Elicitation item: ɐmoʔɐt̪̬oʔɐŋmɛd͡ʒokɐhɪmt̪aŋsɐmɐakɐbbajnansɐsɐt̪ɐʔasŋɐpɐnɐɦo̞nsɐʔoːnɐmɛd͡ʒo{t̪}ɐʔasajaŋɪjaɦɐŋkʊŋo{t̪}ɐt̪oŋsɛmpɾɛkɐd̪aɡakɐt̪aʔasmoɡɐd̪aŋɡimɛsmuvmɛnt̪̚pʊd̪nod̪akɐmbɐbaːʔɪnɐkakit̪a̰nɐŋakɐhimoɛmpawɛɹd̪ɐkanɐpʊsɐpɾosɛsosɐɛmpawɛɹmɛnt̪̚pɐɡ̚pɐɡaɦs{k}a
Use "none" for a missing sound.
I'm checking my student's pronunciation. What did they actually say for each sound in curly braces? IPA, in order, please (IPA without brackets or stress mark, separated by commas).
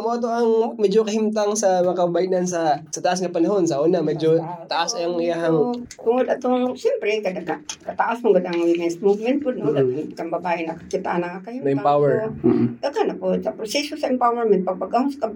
t̪, d̪, k